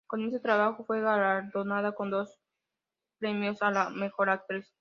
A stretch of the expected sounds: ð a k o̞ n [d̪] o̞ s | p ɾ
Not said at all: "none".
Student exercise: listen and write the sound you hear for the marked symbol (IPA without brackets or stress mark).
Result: d̪